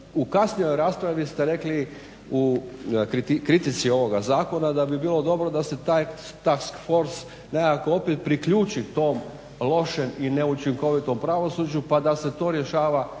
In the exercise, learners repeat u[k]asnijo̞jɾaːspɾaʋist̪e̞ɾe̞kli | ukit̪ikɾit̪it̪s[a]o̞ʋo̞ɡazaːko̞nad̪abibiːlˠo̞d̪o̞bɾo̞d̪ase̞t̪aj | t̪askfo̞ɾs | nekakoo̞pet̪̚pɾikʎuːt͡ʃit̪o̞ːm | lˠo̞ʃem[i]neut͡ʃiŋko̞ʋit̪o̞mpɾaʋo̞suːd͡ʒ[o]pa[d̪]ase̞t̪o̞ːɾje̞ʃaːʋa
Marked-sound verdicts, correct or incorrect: correct, incorrect: i, correct, incorrect: u, correct

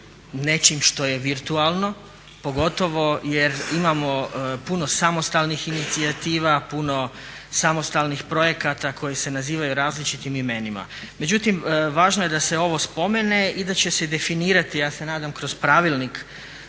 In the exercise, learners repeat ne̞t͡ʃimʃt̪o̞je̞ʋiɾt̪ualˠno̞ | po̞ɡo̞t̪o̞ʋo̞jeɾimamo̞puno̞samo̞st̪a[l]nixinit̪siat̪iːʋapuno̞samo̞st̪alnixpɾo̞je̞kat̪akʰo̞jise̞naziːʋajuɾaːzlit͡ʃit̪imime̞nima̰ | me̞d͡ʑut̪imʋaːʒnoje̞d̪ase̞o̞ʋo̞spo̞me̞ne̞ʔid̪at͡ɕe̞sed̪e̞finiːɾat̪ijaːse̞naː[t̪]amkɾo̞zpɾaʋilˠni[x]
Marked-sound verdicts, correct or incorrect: correct, incorrect: d̪, incorrect: k

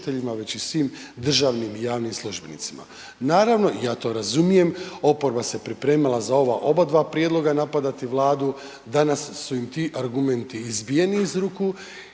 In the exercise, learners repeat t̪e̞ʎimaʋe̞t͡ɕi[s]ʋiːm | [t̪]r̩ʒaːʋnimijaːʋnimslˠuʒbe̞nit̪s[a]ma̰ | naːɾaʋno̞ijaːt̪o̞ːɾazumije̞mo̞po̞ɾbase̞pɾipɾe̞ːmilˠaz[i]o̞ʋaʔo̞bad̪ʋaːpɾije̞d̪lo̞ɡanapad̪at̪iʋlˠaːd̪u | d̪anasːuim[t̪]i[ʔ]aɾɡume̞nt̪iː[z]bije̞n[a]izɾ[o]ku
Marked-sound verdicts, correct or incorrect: correct, incorrect: d̪, incorrect: i, incorrect: a, correct, correct, correct, incorrect: i, incorrect: u

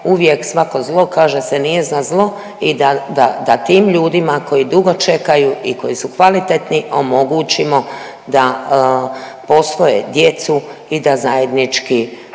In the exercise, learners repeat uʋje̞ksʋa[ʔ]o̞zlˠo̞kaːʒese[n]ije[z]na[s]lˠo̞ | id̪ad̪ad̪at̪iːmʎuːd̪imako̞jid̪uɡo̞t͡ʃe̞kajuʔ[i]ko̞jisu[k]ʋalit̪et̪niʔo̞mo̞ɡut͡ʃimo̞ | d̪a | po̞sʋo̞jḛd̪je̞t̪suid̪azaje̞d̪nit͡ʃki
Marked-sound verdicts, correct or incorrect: incorrect: k, correct, correct, incorrect: z, correct, correct

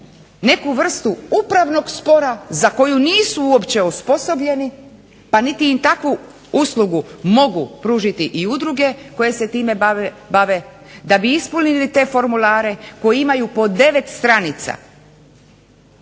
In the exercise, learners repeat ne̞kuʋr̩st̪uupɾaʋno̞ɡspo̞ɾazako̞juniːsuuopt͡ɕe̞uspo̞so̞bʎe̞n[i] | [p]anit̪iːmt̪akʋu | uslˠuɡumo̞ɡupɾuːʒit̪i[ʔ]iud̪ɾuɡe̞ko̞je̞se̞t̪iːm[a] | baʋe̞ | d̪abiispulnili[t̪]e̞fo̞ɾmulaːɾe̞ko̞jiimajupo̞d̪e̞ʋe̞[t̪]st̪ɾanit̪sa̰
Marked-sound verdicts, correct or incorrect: correct, correct, correct, incorrect: e, correct, correct

